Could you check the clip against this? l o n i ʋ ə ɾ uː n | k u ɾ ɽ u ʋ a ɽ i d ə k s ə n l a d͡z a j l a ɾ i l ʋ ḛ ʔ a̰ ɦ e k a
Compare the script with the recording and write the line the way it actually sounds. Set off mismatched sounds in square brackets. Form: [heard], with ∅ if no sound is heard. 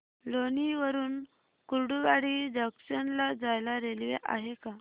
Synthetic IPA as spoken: l o n i ʋ ə ɾ uː n | k u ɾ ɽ u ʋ a ɽ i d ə k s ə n l a d͡z a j l a ɾ [e] l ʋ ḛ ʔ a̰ ɦ e k a